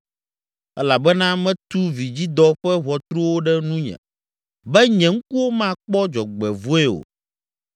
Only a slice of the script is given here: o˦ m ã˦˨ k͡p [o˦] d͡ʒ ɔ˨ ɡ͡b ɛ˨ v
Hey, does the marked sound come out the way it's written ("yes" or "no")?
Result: no